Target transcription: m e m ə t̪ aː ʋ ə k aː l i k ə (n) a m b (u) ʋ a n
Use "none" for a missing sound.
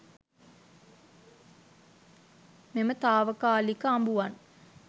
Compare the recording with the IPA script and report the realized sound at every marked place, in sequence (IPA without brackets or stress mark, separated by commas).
none, u